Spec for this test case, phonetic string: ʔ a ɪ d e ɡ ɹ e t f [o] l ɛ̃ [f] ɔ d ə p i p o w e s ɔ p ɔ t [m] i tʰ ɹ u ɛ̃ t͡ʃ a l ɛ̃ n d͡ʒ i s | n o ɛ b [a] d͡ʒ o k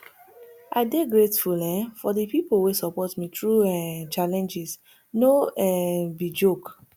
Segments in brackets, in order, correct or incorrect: incorrect: u, correct, correct, incorrect: i

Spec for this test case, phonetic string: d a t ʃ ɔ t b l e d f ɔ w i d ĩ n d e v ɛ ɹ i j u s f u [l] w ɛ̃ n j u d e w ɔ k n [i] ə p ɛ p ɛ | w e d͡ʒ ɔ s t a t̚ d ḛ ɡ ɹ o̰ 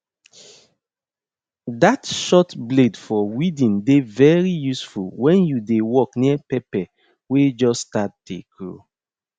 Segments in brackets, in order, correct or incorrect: correct, correct

